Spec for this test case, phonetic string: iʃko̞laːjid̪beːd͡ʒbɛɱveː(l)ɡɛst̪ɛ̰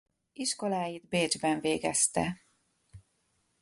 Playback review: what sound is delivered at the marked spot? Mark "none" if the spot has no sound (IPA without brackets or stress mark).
none